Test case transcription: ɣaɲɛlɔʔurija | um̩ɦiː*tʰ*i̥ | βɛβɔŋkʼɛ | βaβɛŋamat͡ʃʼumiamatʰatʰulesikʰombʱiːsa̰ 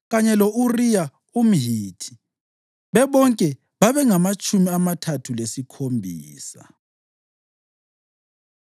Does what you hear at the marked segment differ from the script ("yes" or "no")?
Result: no